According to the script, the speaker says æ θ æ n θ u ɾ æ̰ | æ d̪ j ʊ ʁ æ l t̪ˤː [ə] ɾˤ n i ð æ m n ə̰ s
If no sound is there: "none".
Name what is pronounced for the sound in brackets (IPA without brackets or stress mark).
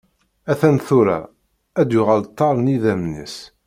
ɑ